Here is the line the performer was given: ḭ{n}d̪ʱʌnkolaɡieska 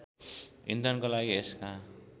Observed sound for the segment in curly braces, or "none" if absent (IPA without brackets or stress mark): n